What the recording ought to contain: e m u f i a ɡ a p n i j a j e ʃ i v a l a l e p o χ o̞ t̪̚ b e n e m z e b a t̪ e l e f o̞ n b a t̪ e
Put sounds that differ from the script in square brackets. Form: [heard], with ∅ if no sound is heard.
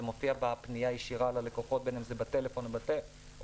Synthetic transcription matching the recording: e m [o] f i a [b] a p n i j a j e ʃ i [ʁ] a l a l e [k] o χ o̞ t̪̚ b e n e m z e b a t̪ e l e f o̞ n b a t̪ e